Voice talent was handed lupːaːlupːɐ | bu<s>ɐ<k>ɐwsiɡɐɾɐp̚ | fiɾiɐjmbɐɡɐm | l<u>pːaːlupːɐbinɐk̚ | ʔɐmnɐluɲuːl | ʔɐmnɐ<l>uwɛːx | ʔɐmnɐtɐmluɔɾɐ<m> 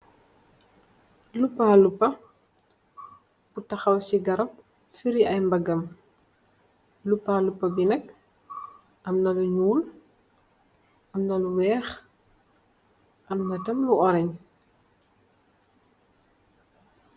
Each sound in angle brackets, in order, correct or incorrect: incorrect: t, incorrect: x, correct, correct, incorrect: ɲ

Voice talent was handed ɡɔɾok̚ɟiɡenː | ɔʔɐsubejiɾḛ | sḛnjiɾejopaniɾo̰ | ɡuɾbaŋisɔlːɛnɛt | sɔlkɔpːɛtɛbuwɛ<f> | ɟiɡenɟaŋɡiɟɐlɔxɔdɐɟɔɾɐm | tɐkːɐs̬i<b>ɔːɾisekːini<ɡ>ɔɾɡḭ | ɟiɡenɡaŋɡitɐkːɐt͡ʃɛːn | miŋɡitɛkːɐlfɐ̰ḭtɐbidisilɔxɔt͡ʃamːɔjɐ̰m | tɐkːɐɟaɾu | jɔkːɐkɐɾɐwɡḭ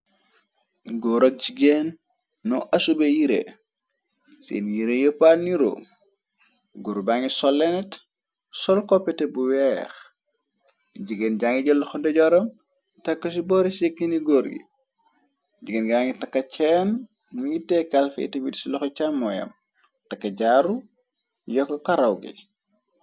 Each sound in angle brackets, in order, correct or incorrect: incorrect: x, correct, correct

